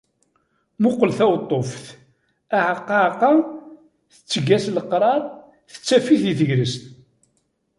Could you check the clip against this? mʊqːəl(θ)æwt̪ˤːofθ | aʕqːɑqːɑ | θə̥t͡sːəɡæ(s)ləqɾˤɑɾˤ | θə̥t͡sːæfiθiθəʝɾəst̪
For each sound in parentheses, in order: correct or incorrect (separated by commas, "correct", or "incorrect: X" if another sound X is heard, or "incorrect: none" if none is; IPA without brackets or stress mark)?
correct, correct